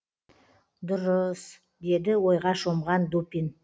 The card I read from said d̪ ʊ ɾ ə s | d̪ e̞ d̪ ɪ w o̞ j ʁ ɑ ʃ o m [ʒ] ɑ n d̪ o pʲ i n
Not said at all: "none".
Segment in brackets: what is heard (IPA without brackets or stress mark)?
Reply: ʁ